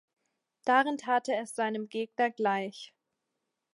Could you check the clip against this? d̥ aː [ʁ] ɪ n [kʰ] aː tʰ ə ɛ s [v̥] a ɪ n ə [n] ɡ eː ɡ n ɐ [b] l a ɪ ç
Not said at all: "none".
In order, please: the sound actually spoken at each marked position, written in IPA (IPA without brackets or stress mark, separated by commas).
ʁ, tʰ, z̥, m, ɡ